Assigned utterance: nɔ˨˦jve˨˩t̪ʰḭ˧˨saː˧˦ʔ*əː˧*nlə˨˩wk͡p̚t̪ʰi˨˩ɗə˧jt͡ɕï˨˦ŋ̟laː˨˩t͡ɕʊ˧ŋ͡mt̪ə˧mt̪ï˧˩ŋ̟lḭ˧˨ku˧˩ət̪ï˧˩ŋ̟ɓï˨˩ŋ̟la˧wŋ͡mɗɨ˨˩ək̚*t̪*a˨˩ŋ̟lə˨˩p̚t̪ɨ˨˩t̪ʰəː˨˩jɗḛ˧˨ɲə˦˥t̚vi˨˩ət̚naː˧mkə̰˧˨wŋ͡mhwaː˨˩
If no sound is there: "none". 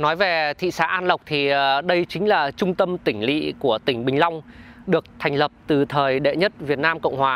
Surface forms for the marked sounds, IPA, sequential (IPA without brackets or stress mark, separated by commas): aː˧, t̪ʰ